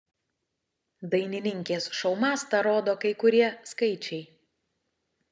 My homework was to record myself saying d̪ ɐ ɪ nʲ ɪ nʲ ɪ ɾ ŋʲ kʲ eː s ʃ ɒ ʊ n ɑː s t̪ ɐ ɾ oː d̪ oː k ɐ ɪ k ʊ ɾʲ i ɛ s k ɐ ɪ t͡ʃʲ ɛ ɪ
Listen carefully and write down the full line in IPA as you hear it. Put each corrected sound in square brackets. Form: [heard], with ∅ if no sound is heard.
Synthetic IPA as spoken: d̪ ɐ ɪ nʲ ɪ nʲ ɪ [∅] ŋʲ kʲ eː s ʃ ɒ ʊ [m] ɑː s t̪ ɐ ɾ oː d̪ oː k ɐ ɪ k ʊ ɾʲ i ɛ s k ɐ ɪ t͡ʃʲ ɛ ɪ